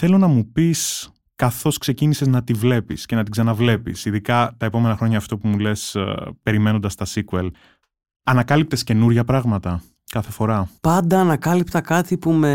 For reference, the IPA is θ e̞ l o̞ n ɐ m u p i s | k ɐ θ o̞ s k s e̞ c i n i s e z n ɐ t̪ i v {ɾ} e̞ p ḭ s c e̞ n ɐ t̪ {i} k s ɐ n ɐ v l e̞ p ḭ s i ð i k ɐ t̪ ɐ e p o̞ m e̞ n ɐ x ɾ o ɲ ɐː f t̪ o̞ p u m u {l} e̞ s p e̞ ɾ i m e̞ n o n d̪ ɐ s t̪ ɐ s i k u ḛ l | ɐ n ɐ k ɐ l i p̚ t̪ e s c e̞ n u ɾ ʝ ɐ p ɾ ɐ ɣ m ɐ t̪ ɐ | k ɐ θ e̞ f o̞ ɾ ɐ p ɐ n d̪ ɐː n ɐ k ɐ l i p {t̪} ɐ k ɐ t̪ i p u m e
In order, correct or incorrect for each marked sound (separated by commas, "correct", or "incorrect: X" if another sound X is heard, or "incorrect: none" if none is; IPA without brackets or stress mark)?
incorrect: l, correct, correct, correct